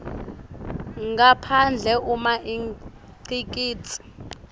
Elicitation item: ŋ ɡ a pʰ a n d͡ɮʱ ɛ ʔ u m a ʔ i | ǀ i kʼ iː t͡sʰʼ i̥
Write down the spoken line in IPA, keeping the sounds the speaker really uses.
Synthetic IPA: ŋ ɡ a pʰ a n d͡ɮʱ ɛ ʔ u m a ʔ i | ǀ i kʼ iː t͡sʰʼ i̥